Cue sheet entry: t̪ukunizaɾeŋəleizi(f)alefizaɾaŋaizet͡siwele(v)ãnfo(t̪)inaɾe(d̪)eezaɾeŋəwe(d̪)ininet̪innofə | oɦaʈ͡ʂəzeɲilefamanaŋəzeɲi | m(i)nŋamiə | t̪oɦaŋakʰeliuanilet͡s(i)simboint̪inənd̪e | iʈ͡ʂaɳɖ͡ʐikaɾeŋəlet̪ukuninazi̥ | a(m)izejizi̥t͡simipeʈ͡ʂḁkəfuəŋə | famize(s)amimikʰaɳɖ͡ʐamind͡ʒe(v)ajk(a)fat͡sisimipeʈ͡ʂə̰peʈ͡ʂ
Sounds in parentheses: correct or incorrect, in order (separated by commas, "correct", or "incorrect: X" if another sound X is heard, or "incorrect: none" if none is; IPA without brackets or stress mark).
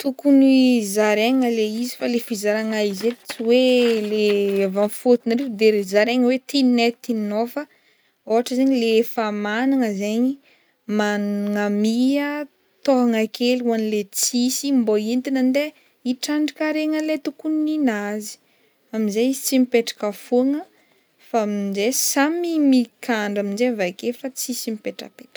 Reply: correct, correct, correct, correct, incorrect: t̪, incorrect: a, correct, correct, correct, correct, incorrect: e